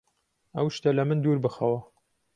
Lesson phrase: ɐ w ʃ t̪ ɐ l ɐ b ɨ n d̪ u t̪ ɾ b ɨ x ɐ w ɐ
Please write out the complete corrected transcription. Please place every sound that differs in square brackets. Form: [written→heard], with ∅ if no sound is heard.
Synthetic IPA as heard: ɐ w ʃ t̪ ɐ l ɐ [b→m] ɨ n d̪ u [t̪→∅] ɾ b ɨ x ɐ w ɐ